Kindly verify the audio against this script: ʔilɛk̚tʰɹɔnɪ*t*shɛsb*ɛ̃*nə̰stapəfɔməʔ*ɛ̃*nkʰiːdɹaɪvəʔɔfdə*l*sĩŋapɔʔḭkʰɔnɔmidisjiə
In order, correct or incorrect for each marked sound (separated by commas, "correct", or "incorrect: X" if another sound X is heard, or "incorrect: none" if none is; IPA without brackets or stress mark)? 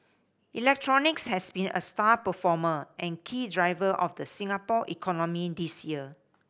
incorrect: k, incorrect: ĩ, correct, incorrect: none